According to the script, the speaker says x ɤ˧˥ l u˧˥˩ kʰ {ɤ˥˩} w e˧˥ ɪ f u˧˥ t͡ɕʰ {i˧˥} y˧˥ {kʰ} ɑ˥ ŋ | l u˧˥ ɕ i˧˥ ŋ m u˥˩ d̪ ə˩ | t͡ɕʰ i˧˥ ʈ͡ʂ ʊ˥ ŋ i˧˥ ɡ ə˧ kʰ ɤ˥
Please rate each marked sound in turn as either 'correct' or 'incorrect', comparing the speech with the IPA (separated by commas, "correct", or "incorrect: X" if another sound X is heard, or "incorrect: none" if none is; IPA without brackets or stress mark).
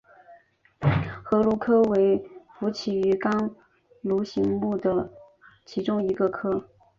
incorrect: ɤ˥, incorrect: i˨˩, incorrect: k